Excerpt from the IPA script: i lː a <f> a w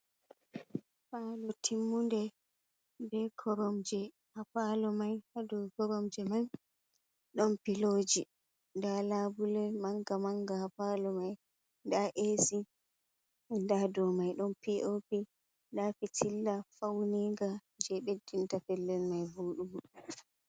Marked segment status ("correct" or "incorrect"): correct